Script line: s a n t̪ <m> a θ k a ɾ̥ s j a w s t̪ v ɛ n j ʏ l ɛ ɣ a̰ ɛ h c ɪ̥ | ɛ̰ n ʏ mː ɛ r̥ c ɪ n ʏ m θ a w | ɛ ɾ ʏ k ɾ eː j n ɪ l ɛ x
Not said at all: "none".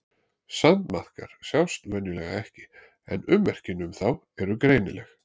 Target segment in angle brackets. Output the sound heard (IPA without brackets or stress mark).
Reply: m